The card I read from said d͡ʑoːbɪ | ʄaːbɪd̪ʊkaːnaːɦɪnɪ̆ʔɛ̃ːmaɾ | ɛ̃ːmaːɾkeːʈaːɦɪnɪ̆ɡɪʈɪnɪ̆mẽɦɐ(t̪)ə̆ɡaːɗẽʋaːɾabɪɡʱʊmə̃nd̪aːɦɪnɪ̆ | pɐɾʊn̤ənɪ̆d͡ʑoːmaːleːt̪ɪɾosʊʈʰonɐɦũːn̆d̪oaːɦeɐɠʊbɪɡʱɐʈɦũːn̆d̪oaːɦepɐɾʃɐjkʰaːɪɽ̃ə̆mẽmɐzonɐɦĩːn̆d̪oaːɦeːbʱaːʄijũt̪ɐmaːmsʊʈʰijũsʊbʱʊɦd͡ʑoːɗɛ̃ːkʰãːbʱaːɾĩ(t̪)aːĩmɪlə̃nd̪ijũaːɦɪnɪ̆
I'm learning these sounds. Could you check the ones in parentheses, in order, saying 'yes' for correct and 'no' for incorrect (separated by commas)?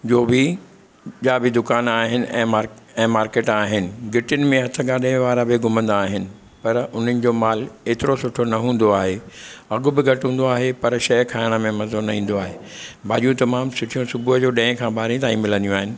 no, yes